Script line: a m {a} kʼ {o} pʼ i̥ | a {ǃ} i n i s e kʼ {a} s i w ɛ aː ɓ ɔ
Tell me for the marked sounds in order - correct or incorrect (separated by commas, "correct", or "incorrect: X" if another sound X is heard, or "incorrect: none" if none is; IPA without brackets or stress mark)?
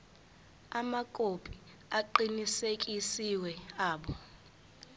correct, correct, correct, incorrect: i